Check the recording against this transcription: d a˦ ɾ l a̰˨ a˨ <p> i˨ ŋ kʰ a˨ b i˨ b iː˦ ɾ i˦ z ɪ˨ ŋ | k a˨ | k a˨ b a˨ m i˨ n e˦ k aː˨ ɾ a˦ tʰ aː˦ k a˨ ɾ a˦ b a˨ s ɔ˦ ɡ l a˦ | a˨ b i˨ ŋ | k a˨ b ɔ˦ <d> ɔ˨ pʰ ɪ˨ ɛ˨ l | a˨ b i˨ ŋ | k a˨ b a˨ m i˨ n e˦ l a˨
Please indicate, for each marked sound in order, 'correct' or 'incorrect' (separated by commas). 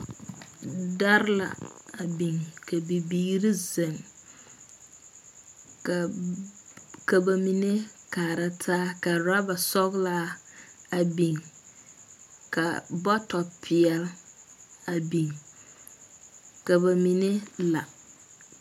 incorrect, incorrect